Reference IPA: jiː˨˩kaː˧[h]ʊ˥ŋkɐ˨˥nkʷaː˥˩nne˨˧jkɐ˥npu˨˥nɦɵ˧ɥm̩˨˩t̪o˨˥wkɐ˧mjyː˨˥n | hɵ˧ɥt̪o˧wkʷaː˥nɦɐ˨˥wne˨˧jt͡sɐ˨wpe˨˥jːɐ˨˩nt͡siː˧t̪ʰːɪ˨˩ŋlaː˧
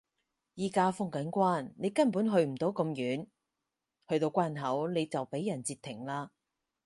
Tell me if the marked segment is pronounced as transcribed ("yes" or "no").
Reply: no